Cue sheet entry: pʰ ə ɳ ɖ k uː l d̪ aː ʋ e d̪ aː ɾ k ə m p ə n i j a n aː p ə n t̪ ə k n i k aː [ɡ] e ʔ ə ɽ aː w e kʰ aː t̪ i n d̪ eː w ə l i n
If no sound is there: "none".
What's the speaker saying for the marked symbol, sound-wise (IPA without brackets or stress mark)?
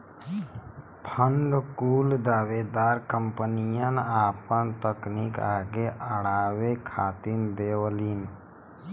ɡ